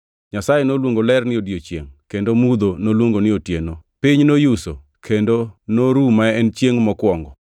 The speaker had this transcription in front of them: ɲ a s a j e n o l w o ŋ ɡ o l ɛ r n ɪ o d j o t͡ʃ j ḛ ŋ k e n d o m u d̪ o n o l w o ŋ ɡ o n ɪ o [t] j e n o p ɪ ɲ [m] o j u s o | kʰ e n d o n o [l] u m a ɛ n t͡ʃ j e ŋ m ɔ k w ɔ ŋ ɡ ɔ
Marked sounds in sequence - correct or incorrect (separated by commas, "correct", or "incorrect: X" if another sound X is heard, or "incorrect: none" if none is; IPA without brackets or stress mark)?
correct, incorrect: n, incorrect: ɾ